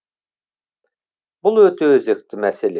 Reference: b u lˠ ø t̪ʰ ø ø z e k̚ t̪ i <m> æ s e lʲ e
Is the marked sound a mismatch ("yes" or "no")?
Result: no